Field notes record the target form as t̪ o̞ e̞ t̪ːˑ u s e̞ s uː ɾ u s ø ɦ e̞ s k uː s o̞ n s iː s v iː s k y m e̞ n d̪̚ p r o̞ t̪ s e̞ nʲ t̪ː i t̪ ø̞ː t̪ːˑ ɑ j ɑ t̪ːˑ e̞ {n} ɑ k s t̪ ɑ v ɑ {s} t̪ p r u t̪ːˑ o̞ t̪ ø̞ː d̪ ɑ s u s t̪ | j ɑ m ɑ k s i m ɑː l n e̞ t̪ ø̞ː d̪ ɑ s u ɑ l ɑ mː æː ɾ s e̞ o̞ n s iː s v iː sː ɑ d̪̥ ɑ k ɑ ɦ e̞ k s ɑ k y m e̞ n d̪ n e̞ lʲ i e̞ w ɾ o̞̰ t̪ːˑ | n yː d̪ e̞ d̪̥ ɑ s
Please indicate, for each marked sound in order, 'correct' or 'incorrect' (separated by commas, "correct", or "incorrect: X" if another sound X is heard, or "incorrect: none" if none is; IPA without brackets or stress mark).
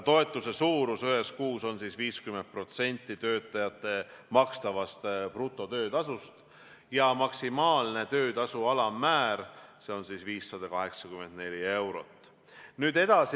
incorrect: m, correct